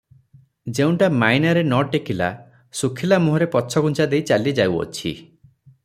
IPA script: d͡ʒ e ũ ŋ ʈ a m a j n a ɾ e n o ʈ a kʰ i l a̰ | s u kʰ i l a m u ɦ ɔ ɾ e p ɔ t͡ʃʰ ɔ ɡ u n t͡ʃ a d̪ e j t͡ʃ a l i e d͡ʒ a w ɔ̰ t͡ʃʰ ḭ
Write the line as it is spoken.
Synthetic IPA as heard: d͡ʒ e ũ ɳ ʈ a m a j n a ɾ e n ɔ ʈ e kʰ i l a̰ | s u kʰ i l a m u ɦ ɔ ɾ e p ɔ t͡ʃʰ ɔ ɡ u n t͡ʃ a d̪ e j t͡ʃ a l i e d͡ʒ a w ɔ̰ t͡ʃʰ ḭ